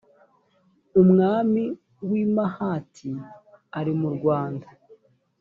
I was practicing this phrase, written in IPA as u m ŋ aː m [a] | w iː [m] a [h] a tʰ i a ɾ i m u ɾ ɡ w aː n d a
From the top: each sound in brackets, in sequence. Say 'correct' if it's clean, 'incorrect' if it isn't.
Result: incorrect: i, correct, correct

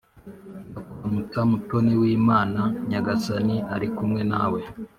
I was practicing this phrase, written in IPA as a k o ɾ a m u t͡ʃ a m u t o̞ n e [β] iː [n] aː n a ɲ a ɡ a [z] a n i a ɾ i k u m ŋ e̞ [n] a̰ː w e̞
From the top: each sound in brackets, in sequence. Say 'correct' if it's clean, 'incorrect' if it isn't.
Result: incorrect: w, incorrect: m, incorrect: s, correct

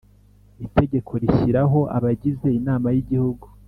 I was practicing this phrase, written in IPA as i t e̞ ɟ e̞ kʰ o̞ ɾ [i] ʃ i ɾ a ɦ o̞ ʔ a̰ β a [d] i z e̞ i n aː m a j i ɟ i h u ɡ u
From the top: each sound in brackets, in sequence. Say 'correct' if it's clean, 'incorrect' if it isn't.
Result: correct, incorrect: ɟ

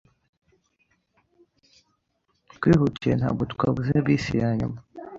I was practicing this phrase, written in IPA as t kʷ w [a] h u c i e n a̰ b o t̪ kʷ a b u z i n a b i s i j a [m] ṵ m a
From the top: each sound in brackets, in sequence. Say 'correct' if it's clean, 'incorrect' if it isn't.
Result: incorrect: i, incorrect: ɲ

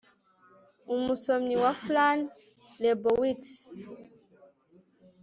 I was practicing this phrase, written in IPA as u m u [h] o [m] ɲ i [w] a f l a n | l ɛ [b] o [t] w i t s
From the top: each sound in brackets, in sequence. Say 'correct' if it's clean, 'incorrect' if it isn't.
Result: incorrect: s, correct, correct, correct, incorrect: none

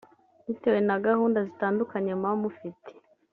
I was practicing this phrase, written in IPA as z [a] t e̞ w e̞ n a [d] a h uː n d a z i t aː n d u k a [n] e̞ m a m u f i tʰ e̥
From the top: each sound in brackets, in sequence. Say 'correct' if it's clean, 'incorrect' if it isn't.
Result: incorrect: i, incorrect: ɡ, incorrect: ɲ

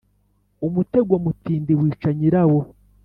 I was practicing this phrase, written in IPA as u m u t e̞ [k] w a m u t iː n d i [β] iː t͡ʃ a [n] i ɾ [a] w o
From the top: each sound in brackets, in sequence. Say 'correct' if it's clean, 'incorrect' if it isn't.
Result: incorrect: ɡ, incorrect: w, incorrect: ɲ, correct

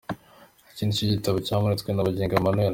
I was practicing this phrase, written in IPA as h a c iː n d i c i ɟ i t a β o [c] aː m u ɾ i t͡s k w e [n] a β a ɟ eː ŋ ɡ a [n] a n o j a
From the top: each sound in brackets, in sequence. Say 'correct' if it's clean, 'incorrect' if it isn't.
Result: correct, correct, incorrect: m

